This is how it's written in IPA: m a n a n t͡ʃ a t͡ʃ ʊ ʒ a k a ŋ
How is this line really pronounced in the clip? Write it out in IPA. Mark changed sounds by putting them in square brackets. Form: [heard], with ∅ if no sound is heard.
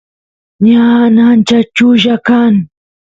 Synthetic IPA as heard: [ɲ] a n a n t͡ʃ a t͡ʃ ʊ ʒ a k a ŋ